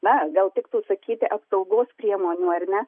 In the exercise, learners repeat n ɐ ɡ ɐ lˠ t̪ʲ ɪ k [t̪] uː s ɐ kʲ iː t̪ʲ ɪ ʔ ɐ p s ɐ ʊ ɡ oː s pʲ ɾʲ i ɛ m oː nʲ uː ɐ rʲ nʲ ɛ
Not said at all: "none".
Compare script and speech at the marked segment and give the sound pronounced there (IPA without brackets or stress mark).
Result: t̪